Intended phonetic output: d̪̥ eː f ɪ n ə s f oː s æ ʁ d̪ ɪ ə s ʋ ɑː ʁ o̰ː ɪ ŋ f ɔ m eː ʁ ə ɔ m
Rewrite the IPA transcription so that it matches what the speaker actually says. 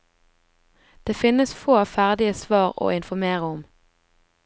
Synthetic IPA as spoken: d̪̥ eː f ɪ n ə s f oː f æ ʁ d̪ ɪ ə s ʋ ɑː ʁ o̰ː ɪ n f ɔ m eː ʁ ə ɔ m